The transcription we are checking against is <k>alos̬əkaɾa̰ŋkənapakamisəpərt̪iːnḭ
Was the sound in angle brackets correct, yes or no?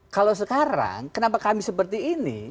yes